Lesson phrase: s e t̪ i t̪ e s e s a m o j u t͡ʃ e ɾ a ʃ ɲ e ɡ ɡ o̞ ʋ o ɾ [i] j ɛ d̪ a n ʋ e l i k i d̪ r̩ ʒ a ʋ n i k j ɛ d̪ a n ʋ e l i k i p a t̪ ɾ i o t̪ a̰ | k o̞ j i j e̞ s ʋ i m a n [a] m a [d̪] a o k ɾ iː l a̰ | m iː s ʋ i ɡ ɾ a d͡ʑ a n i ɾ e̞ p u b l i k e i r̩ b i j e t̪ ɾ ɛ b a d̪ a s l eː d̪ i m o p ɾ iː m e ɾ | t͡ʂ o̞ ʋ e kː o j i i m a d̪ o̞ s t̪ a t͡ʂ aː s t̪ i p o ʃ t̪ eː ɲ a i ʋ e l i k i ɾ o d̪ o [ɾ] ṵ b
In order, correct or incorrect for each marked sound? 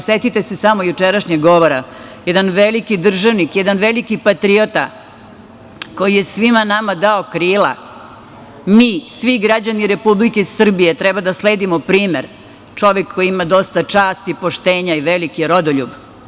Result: incorrect: a, correct, correct, incorrect: ʎ

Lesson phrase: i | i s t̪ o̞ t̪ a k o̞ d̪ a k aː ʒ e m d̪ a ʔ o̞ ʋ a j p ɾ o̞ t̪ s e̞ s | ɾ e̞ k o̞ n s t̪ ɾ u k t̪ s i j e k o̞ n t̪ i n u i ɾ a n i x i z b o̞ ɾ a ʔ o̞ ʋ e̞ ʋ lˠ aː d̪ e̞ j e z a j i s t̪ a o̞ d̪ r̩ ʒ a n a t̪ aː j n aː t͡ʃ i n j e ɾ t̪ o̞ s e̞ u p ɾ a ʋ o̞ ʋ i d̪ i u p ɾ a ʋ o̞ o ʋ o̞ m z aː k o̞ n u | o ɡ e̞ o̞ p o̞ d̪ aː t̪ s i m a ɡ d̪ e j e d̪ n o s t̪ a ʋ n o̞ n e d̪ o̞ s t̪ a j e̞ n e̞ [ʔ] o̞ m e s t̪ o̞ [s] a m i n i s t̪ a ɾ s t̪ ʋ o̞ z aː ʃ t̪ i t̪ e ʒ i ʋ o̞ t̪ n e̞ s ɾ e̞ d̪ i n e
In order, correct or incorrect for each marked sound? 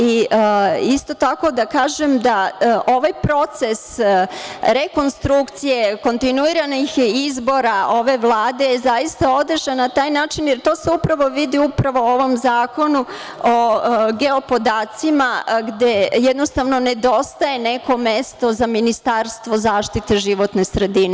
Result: incorrect: k, incorrect: z

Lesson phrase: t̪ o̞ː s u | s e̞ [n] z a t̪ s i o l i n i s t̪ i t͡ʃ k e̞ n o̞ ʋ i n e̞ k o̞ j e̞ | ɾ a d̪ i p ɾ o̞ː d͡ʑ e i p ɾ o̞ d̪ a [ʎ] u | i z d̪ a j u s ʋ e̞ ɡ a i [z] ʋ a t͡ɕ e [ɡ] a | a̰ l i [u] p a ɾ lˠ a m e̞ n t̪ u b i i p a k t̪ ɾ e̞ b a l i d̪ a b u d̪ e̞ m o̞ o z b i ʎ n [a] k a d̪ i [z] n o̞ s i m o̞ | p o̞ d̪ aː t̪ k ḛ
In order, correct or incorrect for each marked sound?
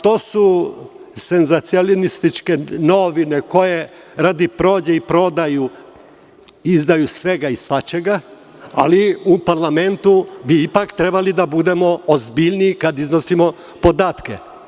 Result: correct, incorrect: j, incorrect: s, correct, correct, incorrect: i, correct

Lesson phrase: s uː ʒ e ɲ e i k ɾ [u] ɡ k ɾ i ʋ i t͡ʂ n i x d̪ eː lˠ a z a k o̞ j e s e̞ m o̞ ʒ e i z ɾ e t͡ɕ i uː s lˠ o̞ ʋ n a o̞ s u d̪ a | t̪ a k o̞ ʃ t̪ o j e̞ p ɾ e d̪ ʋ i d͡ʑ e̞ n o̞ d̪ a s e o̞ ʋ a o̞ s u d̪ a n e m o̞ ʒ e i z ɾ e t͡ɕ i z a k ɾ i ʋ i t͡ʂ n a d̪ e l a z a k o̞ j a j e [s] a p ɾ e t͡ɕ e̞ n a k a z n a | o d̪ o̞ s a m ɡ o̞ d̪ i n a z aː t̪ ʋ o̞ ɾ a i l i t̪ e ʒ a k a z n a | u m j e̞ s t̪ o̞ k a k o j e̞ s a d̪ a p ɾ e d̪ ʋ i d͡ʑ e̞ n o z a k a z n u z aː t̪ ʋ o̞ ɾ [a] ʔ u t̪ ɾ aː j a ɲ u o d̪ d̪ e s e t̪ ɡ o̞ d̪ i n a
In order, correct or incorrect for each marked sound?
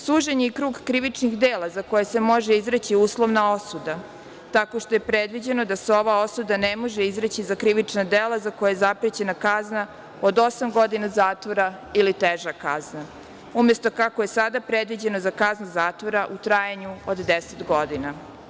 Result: incorrect: uː, incorrect: z, correct

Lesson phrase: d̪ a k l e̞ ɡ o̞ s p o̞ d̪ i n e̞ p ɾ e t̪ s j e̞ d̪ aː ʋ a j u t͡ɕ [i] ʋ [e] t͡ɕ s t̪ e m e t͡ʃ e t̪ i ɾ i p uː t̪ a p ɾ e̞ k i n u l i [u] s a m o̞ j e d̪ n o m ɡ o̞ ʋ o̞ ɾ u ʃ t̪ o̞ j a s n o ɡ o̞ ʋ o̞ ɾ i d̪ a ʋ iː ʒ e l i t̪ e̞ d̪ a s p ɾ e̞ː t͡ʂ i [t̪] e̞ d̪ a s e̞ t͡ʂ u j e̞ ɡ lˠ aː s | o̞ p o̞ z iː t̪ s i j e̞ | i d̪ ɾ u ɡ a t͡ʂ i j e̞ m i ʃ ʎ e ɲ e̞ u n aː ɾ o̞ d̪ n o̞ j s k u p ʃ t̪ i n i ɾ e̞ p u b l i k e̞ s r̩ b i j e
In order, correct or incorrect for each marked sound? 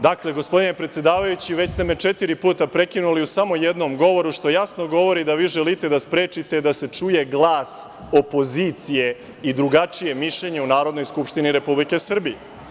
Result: correct, correct, correct, correct

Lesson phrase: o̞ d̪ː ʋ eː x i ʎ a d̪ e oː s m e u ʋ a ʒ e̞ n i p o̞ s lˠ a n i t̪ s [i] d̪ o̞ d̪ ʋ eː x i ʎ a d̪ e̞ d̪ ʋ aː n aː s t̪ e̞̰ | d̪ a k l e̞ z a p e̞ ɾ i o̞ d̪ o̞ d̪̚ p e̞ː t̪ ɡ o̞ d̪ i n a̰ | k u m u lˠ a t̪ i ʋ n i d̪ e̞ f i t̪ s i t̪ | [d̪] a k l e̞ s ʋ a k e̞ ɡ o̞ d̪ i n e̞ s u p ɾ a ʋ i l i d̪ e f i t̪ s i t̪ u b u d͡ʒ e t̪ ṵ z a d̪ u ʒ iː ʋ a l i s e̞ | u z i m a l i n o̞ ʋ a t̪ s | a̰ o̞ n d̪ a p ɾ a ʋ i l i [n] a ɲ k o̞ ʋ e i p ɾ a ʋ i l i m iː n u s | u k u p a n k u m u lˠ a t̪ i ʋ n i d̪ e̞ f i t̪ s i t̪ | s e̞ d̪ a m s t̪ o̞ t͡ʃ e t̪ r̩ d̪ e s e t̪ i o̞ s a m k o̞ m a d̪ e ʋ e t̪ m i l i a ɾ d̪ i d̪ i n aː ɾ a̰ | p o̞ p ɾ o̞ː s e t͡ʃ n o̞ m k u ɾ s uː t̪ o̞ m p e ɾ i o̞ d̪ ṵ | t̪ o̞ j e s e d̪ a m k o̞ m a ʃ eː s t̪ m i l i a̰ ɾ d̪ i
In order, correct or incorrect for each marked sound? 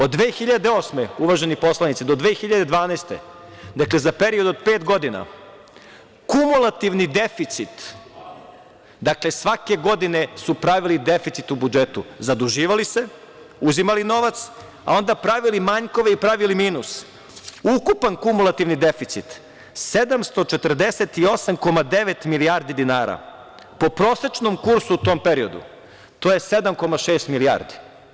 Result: correct, correct, incorrect: m

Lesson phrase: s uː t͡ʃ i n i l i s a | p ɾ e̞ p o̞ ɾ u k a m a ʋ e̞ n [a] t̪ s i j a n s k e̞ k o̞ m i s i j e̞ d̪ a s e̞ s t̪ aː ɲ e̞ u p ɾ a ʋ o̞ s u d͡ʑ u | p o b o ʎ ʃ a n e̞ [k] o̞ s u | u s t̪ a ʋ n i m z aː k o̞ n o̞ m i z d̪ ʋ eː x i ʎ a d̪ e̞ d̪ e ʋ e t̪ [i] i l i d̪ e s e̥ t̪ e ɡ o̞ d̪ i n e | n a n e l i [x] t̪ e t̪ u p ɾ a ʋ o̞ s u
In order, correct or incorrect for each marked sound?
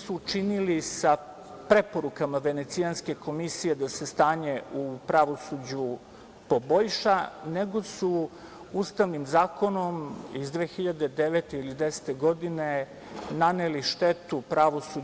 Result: incorrect: e, incorrect: ɡ, incorrect: e, incorrect: ʃ

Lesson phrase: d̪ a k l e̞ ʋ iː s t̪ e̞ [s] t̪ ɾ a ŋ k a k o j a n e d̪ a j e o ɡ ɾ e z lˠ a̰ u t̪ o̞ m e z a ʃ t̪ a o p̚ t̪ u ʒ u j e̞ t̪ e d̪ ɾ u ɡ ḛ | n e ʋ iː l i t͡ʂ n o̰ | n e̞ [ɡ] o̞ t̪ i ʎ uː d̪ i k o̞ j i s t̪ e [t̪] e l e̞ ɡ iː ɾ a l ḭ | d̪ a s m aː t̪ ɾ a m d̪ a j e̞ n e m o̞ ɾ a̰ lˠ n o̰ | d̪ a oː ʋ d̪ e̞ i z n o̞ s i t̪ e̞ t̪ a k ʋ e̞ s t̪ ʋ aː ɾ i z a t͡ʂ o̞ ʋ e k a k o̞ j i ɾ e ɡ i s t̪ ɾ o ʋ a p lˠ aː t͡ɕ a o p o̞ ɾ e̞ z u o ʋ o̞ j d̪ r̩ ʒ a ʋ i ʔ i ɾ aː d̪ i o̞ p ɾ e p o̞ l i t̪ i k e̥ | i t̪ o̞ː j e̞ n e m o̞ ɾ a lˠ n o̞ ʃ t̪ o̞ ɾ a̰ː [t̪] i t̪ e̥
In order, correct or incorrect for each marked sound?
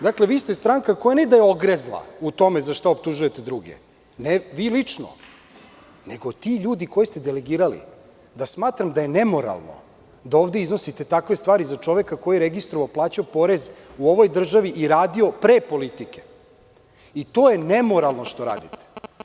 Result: correct, correct, incorrect: d̪, incorrect: d̪

